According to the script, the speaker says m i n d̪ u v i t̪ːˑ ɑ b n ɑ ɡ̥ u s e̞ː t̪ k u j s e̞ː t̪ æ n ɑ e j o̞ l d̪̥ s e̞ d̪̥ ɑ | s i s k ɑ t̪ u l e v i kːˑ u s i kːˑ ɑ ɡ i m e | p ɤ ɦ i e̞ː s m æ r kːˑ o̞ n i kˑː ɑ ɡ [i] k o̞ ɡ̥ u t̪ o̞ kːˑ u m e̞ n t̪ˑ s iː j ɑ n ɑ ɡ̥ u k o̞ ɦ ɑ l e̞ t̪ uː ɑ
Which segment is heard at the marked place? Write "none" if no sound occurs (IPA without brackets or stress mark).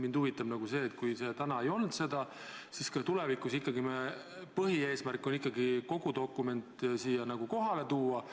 i